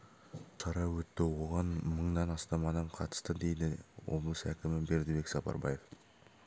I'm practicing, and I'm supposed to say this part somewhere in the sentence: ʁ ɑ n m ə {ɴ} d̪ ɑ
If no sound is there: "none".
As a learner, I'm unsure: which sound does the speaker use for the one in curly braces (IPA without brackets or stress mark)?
ɴ